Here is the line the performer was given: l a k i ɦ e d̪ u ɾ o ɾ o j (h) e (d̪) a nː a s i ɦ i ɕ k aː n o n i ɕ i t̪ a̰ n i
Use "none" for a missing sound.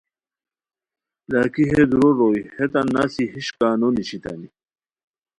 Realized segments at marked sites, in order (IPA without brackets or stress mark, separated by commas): h, t̪